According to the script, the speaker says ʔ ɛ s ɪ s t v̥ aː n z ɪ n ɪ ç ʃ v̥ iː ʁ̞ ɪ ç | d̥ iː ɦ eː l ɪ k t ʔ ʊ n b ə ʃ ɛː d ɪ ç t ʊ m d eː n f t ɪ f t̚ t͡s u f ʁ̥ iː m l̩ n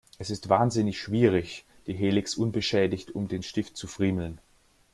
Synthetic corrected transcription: ʔ ɛ s ɪ s t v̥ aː n z ɪ n ɪ ç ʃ v̥ iː ʁ̞ ɪ ç | d̥ iː ɦ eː l ɪ k s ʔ ʊ n b ə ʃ ɛː d ɪ ç t ʊ m d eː n ʃ t ɪ f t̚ t͡s u f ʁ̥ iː m l̩ n